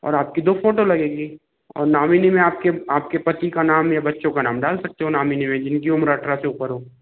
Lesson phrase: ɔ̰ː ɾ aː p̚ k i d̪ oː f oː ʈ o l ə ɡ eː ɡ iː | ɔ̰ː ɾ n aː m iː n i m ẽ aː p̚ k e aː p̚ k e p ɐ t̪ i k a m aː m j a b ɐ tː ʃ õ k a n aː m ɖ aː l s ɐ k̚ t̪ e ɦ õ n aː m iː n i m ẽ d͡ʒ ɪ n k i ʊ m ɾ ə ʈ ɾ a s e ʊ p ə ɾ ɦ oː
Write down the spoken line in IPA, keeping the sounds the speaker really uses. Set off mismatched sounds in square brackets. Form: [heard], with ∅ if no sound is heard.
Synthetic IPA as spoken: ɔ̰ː ɾ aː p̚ k i d̪ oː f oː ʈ o l [ɐ] ɡ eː ɡ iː | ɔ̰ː ɾ n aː m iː n i m ẽ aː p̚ k e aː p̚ k e p ɐ t̪ i k a [n] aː m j a b ɐ tː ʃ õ k a n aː m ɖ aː l s ɐ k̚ t̪ e ɦ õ n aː m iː n i m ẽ d͡ʒ ɪ n k i ʊ m ɾ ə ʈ ɾ a s e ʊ p ə ɾ ɦ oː